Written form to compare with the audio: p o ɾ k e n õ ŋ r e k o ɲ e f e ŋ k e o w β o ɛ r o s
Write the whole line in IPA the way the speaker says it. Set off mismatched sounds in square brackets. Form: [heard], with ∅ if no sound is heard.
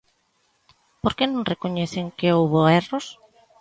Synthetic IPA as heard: p o ɾ k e n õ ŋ r e k o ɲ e [θ] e ŋ k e o w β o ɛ r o s